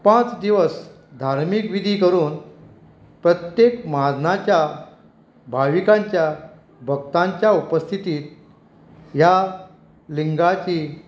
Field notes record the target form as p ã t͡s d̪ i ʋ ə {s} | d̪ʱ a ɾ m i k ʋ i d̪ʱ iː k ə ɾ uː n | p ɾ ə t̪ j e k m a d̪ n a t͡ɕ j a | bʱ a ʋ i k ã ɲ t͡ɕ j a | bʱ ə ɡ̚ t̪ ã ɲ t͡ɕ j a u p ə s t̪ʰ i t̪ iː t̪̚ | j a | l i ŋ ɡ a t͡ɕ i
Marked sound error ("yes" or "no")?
no